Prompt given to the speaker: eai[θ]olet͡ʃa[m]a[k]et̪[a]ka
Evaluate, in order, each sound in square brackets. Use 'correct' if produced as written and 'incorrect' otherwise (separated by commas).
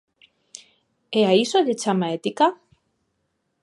incorrect, correct, incorrect, incorrect